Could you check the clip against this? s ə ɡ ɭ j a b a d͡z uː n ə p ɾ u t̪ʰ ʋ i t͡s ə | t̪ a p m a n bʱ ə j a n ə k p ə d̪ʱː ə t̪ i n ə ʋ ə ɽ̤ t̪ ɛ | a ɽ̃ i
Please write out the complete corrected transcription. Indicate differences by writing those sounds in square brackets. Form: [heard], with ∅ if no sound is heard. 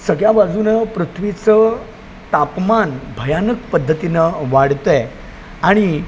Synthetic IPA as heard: s ə ɡ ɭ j a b a d͡z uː n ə p ɾ u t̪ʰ ʋ i t͡s ə | t̪ a p m a n bʱ ə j a n ə k p ə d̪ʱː ə t̪ i n ə ʋ [a] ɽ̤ t̪ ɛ | a ɽ̃ i